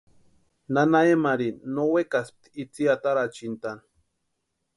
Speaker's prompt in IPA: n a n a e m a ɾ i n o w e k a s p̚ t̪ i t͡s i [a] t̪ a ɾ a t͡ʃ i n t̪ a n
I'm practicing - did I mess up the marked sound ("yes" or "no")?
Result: no